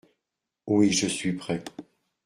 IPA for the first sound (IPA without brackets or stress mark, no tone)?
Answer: w